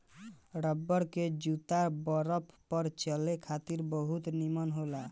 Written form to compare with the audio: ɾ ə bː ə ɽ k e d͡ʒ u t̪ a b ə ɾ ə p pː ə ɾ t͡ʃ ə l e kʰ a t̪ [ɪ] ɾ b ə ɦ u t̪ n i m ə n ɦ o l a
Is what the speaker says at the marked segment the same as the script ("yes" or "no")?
no